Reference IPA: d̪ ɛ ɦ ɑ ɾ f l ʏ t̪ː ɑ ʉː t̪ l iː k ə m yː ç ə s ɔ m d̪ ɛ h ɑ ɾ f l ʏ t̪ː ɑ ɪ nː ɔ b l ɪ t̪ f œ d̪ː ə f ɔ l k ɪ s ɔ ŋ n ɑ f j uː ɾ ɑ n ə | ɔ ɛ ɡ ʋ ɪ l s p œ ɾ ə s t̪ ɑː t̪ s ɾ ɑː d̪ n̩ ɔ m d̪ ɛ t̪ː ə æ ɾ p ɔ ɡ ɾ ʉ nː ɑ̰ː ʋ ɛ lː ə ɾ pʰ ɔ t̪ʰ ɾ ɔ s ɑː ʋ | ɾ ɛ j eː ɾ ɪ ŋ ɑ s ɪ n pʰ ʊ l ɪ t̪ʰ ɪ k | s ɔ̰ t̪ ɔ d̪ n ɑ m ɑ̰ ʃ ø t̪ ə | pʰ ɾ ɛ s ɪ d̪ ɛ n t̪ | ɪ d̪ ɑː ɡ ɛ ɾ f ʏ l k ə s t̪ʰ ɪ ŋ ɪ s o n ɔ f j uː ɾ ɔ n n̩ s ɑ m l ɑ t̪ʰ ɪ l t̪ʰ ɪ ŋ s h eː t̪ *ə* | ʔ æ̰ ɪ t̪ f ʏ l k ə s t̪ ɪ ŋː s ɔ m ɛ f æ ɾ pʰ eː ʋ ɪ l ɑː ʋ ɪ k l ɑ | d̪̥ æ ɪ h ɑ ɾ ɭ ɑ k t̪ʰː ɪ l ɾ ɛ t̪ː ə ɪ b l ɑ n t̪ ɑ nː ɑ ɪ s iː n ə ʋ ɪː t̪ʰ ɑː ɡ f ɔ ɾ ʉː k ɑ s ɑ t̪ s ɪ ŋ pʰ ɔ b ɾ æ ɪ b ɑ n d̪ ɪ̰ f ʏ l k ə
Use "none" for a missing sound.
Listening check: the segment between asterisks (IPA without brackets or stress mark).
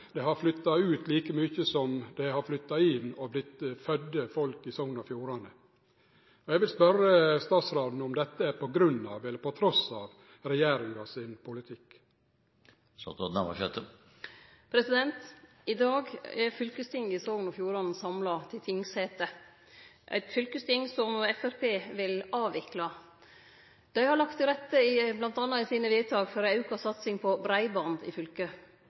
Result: ə